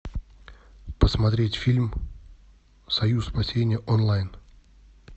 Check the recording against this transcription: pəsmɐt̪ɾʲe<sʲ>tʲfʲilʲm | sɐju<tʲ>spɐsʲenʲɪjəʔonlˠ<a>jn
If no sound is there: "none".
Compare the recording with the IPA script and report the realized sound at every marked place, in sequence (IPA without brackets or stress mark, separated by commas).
none, none, a